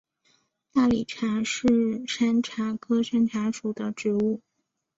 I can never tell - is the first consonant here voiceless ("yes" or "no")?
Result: yes